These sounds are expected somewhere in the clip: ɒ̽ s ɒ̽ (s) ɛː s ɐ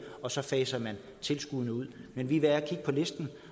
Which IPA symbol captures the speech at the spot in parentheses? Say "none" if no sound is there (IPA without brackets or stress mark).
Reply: f